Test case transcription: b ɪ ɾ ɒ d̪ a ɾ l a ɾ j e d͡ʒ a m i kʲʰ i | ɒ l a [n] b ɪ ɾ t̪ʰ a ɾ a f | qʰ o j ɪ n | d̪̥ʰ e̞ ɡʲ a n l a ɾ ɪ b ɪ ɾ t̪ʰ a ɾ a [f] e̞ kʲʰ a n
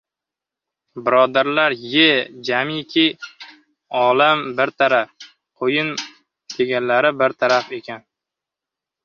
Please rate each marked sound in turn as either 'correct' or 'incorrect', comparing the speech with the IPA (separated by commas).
incorrect, correct